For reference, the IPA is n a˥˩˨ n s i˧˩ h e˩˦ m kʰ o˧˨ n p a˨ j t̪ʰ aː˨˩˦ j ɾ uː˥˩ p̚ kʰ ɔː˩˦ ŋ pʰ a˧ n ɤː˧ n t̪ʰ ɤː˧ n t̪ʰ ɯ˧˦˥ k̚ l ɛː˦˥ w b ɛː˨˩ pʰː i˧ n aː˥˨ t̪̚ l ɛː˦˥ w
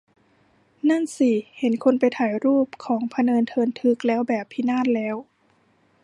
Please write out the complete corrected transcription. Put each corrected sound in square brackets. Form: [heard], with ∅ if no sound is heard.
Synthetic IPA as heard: n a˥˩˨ n s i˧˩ h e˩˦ [n] kʰ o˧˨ n p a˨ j t̪ʰ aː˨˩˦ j ɾ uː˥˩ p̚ kʰ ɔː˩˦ ŋ pʰ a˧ n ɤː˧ n t̪ʰ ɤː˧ n t̪ʰ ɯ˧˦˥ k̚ l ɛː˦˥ w b ɛː˨˩ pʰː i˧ n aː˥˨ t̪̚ l ɛː˦˥ w